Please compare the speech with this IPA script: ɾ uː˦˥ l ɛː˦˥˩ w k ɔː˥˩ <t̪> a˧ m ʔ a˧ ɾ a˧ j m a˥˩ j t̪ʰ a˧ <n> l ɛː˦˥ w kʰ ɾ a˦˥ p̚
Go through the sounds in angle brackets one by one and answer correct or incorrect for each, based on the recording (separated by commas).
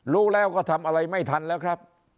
incorrect, correct